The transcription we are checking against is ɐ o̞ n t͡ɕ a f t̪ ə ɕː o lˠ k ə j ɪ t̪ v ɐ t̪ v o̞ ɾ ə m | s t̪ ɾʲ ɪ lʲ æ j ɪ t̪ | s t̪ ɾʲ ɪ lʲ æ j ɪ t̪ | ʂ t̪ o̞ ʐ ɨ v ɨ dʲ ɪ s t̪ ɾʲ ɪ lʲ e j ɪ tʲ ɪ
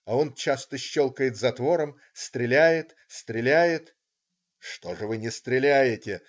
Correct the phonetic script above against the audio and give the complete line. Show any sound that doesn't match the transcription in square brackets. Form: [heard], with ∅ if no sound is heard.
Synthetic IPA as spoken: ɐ o̞ n t͡ɕ a [s] t̪ ə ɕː o lˠ k ə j ɪ t̪ [z] ɐ t̪ v o̞ ɾ ə m | s t̪ ɾʲ ɪ lʲ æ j ɪ t̪ | s t̪ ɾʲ ɪ lʲ æ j ɪ t̪ | ʂ t̪ o̞ ʐ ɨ v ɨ [nʲ] ɪ s t̪ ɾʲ ɪ lʲ [æ] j ɪ tʲ ɪ